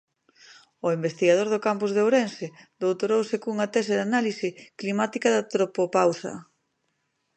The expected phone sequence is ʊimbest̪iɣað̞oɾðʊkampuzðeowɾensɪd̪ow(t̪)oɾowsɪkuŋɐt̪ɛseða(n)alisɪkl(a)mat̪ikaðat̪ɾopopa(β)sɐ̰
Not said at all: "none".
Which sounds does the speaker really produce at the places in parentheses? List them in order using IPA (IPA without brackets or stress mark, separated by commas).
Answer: t̪, n, i, w